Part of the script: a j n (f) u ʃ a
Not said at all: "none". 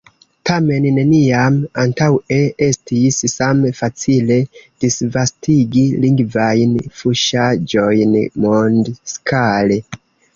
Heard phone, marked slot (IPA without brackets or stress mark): f